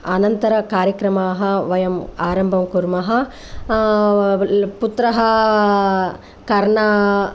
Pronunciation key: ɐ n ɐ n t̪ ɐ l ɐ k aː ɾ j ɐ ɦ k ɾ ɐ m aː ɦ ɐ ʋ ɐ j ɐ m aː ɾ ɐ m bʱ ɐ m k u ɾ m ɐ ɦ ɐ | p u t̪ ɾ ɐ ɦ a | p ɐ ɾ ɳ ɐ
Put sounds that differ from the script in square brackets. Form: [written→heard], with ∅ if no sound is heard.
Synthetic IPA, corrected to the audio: ɐ n ɐ n t̪ ɐ [l→ɾ] ɐ k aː ɾ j ɐ [ɦ→∅] k ɾ ɐ m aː ɦ ɐ ʋ ɐ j ɐ m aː ɾ ɐ m bʱ ɐ m k u ɾ m ɐ ɦ ɐ | p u t̪ ɾ ɐ ɦ [a→ɐ] | [p→k] ɐ ɾ ɳ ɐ